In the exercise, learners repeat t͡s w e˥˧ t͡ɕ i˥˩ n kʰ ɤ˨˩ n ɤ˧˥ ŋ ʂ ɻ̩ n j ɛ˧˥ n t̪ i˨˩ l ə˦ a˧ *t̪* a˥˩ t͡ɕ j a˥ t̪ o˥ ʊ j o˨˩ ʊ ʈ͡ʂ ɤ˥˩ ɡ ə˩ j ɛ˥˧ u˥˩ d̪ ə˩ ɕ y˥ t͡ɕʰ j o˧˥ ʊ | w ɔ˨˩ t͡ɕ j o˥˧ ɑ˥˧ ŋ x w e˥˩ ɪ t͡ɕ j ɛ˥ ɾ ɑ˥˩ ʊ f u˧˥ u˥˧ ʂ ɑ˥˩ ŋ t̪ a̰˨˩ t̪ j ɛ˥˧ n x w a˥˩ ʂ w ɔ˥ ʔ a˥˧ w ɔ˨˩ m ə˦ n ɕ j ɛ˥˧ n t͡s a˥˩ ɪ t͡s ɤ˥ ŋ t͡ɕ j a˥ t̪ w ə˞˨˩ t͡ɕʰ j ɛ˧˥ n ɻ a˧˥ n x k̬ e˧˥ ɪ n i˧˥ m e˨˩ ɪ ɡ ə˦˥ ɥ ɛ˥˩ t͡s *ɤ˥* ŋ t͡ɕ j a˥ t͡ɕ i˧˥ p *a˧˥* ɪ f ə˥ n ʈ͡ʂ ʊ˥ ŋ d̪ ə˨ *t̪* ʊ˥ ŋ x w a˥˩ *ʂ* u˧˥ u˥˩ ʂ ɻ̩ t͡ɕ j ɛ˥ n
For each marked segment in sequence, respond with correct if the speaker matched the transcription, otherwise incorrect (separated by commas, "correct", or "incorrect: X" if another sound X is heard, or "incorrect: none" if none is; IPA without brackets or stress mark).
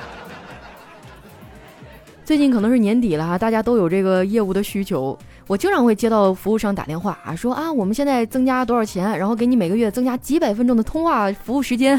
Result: correct, correct, incorrect: a˨˩, incorrect: t̪ʰ, incorrect: f